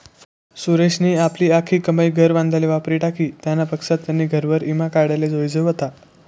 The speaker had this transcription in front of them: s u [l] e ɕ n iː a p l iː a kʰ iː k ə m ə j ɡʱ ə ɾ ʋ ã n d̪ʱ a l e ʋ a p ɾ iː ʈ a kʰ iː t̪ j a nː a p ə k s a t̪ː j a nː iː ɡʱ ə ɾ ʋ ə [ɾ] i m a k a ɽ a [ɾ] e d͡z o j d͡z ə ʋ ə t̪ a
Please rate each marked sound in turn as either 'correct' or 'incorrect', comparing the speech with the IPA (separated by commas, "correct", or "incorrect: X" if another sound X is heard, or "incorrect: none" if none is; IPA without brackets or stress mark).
incorrect: ɾ, correct, incorrect: l